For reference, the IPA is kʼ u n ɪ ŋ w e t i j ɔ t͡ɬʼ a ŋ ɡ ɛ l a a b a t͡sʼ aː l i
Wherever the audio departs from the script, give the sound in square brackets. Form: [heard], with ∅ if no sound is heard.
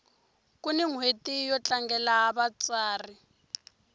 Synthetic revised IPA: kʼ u n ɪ ŋ w e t i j ɔ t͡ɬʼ a ŋ ɡ ɛ l a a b a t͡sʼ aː [r] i